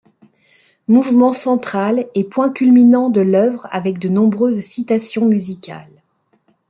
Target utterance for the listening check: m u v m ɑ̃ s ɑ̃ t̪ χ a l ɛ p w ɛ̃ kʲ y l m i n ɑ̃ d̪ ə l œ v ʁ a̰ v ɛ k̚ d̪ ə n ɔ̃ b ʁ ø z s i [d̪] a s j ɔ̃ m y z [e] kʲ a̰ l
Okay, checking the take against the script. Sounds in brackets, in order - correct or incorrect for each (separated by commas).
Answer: incorrect, incorrect